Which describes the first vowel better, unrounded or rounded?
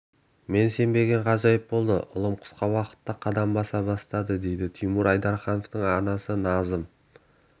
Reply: unrounded